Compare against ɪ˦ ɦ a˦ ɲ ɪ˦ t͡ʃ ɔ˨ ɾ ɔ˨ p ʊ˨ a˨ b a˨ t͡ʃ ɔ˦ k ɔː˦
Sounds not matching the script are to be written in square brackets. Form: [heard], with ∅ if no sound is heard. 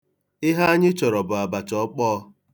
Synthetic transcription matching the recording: ɪ˦ ɦ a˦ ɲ ɪ˦ t͡ʃ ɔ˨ ɾ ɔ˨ [b] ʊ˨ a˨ b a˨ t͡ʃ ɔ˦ [k͡p] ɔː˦